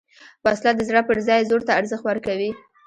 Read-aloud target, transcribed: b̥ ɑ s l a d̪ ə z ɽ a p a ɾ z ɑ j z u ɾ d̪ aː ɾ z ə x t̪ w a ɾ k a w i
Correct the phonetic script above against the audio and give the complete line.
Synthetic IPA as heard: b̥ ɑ s l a d̪ ə z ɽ a p ə ɾ z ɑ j z o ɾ t̪ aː ɾ z ə x t̪ w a ɾ k a w i